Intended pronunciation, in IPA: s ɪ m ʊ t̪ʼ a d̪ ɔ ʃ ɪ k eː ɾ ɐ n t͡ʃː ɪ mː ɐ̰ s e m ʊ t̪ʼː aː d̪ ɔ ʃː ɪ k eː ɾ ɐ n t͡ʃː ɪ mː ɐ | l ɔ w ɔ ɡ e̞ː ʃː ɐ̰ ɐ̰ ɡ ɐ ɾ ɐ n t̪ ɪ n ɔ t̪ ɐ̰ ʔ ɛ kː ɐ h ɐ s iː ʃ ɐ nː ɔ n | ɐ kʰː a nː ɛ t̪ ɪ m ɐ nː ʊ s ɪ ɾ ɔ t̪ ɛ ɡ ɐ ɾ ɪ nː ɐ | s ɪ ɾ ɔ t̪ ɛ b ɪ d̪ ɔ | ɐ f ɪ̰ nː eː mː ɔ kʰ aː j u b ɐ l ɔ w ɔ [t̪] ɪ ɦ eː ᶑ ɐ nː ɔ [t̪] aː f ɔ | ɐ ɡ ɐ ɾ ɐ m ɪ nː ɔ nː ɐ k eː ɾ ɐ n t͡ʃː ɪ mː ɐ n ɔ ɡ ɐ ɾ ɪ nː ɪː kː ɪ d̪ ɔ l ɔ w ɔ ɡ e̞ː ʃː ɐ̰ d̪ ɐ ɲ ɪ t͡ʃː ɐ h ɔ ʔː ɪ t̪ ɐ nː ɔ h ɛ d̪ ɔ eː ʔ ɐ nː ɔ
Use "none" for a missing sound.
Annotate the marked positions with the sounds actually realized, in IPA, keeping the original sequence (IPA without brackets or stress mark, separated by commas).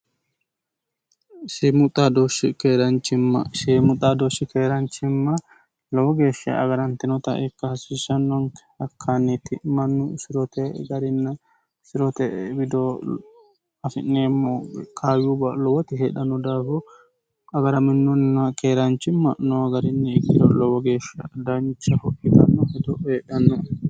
t̪, d̪